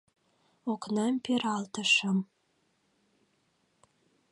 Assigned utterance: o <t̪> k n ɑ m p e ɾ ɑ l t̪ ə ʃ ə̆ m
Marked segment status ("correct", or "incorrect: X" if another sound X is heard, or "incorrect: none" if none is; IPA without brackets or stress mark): incorrect: none